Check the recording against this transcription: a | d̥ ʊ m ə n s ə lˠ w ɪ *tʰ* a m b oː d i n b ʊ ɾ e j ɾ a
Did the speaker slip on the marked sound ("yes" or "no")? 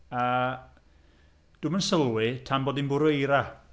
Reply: no